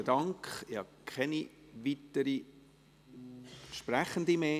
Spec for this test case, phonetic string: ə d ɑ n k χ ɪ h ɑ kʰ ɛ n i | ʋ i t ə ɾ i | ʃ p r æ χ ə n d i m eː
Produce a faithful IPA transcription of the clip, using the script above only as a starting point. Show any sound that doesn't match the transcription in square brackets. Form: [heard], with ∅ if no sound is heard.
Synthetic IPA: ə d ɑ [ŋ] k χ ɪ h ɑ kʰ ɛ n i | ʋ i t ə ɾ i | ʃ p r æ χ ə n d i m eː